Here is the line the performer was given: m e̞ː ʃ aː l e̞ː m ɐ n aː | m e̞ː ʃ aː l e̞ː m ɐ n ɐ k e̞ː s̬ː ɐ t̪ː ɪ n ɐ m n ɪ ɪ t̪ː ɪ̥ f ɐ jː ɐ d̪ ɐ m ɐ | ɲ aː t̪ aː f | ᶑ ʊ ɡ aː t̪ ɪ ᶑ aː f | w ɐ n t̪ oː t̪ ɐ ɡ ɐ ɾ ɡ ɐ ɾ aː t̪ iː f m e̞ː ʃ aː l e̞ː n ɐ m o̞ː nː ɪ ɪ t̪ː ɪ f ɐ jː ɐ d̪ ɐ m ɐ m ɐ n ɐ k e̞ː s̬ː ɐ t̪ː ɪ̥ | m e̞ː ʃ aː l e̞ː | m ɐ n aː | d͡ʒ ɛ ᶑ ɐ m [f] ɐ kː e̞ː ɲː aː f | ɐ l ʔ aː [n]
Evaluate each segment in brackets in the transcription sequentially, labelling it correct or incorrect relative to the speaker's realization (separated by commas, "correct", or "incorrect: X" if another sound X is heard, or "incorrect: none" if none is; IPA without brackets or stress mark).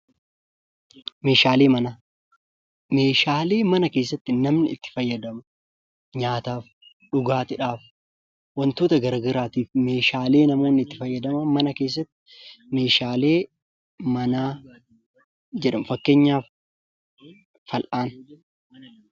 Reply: correct, correct